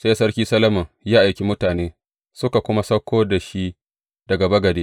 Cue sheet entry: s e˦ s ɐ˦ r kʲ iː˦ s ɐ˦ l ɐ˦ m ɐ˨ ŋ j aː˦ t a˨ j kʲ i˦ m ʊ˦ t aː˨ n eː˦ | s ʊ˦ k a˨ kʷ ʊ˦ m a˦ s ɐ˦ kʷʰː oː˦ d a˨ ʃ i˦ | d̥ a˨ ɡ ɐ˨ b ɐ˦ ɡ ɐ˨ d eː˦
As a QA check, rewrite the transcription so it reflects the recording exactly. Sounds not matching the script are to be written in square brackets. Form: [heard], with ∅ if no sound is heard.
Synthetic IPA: s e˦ s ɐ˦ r kʲ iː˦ s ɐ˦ l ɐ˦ m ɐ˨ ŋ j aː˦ [ʔ] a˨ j kʲ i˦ m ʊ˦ t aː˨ n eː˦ | s ʊ˦ k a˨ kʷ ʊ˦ m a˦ s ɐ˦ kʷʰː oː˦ d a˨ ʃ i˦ | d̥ [ɐ˨] ɡ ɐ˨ b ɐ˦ ɡ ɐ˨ d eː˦